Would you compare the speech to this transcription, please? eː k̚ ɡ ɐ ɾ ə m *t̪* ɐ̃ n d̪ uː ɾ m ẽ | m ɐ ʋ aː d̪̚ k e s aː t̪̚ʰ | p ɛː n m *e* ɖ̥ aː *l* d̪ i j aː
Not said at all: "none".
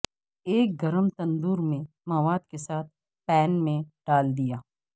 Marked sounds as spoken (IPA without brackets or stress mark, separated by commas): t̪, ẽ, l